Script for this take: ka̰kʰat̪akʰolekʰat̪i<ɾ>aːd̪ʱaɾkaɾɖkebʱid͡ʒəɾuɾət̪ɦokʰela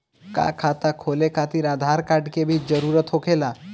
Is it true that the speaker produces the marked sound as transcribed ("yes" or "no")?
yes